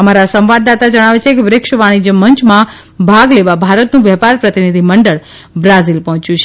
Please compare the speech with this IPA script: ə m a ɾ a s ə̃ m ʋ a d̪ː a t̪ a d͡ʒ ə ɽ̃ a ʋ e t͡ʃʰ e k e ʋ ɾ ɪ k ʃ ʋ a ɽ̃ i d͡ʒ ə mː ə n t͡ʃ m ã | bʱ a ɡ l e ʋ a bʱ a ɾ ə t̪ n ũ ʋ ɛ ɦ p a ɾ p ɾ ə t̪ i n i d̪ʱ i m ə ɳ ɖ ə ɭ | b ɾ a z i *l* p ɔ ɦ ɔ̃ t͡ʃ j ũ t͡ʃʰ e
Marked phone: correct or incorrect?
correct